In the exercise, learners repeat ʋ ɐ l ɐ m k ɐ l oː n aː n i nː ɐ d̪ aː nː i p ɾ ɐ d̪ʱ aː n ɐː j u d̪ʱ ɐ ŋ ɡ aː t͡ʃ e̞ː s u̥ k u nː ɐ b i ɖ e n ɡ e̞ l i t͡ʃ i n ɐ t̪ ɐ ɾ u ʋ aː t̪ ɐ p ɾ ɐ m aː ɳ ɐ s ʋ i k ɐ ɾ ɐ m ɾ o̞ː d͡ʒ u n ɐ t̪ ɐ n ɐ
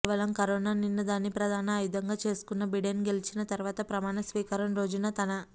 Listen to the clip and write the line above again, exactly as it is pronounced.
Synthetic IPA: ʋ ɐ l ɐ m k ɐ ɾ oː n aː n i nː ɐ d̪ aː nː i p ɾ ɐ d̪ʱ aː n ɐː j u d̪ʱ ɐ ŋ ɡ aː t͡ʃ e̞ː s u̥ k u nː ɐ b i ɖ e n ɡ e̞ l i t͡ʃ i n ɐ t̪ ɐ ɾ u ʋ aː t̪ ɐ p ɾ ɐ m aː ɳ ɐ s ʋ iː k ɐ ɾ ɐ m ɾ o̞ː d͡ʒ u n ɐ t̪ ɐ n ɐ